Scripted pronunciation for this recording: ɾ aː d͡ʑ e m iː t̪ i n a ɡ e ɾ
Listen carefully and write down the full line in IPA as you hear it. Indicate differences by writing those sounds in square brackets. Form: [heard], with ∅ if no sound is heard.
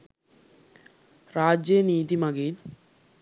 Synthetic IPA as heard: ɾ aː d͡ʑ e [n] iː t̪ i [m] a ɡ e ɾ